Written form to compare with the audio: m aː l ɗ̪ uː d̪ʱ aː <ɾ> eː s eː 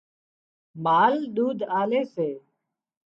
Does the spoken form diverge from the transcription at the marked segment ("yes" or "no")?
yes